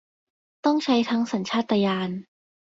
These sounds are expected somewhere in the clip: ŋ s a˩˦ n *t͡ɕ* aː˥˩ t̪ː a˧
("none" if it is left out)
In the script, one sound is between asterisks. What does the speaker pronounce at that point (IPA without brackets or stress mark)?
t͡ɕʰ